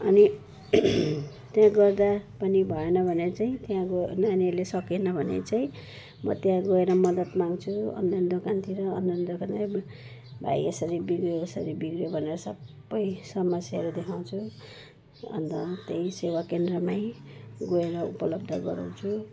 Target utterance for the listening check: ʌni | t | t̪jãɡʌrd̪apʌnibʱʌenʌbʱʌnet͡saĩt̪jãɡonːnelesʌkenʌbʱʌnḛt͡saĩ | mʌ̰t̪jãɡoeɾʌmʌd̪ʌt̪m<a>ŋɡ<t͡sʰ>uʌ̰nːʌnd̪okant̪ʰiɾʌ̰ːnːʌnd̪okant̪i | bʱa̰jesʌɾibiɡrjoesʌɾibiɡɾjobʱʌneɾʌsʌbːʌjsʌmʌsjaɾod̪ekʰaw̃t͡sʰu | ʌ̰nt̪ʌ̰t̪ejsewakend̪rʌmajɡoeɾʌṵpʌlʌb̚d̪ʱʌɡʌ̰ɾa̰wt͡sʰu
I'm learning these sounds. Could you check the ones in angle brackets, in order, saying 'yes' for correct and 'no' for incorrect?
yes, yes

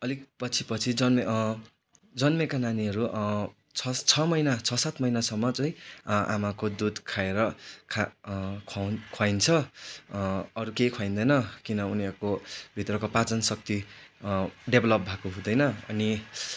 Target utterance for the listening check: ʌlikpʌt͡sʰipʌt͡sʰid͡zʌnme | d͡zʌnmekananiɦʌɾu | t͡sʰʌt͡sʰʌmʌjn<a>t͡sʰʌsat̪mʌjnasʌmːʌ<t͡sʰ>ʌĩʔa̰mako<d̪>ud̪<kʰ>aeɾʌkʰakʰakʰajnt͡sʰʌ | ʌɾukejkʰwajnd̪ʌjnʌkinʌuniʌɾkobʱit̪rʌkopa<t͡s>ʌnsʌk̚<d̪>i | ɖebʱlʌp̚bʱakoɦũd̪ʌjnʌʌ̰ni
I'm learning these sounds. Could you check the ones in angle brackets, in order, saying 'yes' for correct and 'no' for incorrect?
yes, no, yes, yes, yes, no

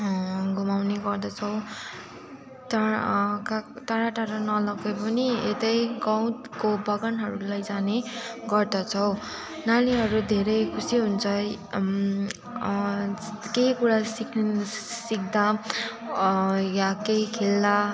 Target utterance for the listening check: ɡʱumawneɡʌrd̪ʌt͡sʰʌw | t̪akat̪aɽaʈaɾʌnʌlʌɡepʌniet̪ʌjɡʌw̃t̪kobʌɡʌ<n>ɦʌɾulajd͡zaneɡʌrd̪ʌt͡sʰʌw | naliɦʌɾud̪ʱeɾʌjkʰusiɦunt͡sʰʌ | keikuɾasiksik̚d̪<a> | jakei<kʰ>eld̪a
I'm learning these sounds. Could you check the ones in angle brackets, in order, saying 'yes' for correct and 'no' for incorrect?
yes, yes, yes

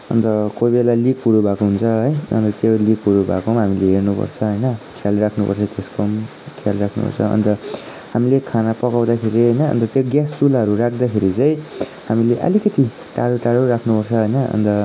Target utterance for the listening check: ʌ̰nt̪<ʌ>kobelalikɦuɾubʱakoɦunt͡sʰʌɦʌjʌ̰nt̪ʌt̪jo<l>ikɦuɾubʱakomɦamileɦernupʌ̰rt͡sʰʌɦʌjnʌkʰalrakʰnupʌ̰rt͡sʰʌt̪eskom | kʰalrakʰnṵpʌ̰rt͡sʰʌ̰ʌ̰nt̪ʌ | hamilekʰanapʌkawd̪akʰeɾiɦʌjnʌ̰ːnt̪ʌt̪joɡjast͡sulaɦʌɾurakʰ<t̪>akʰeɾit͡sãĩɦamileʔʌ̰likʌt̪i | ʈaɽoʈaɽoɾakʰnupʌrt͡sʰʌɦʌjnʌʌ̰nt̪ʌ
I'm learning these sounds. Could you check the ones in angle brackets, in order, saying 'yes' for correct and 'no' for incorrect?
yes, yes, no

